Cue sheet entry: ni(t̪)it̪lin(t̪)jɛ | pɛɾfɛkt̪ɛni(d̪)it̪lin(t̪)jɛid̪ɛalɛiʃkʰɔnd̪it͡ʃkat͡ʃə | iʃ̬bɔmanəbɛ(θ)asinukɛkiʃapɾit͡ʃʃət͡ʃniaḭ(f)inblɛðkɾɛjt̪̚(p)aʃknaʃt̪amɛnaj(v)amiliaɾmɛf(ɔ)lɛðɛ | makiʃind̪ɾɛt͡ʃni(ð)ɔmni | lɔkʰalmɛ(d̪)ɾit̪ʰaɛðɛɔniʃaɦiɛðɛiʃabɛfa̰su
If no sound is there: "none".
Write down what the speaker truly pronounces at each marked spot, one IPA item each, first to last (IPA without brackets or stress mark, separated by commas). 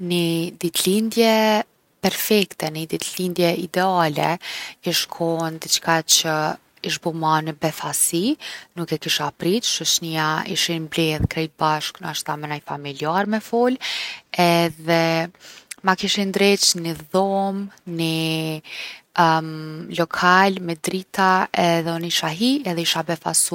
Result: d̪, d̪, d̪, d̪, θ, ʃ, b, f, ɔ, ð, d̪